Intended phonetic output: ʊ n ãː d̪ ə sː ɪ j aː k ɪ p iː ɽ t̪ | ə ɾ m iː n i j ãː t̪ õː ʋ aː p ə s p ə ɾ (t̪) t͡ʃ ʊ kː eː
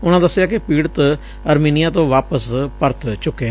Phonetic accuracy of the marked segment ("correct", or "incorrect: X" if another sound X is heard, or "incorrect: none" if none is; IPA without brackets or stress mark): correct